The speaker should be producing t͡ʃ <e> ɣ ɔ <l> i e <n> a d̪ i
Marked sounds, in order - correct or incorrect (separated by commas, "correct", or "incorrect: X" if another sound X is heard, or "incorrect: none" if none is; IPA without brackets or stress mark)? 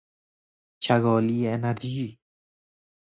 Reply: incorrect: a, correct, correct